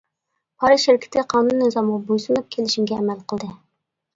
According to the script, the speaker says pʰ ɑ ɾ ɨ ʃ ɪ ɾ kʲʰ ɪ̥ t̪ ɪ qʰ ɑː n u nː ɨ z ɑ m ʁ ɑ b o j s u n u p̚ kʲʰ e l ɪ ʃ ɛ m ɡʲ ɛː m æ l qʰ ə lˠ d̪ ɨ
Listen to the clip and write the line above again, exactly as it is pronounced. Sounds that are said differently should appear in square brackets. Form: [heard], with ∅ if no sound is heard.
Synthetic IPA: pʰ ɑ ɾ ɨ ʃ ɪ ɾ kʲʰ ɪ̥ t̪ ɪ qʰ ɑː n u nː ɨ z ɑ m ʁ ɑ b o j s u n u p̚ kʲʰ e l ɪ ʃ [i] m ɡʲ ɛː m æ l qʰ ə lˠ d̪ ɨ